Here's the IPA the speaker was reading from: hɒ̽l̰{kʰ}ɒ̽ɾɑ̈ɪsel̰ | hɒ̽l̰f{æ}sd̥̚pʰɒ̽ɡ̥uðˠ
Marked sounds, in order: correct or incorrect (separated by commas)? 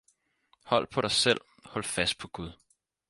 incorrect, correct